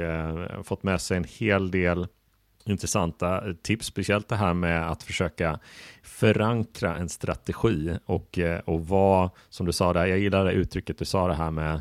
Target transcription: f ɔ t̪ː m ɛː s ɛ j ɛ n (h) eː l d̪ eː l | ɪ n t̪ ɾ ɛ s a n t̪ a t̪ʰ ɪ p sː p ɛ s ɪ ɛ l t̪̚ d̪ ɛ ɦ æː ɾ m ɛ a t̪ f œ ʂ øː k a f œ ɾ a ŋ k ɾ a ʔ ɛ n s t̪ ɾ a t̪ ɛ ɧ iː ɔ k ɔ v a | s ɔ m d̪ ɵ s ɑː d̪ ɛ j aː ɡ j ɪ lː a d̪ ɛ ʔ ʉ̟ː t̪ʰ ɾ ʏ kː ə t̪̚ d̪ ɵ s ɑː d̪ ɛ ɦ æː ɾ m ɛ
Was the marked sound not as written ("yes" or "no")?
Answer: no